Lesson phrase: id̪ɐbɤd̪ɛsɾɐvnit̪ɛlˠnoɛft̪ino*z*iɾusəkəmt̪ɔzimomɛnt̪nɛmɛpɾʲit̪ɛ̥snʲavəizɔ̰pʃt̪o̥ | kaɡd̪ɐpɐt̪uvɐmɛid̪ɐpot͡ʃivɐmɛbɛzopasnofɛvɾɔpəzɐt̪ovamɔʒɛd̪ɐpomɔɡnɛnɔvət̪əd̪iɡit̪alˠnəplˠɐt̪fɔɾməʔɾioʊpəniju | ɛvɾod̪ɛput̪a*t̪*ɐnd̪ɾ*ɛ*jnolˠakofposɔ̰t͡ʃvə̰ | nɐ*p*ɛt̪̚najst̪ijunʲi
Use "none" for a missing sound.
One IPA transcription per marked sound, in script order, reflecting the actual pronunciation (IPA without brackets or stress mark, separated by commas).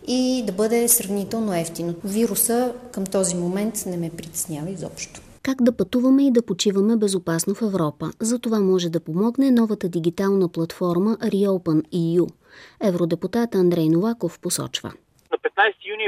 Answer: v, t̪, ɛ, p